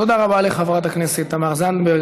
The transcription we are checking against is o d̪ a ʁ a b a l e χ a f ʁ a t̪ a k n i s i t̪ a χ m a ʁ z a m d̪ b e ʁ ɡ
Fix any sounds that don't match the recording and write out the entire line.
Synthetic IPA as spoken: o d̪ a ʁ a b a l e χ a v ʁ a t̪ a k n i s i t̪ a m a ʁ z a n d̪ b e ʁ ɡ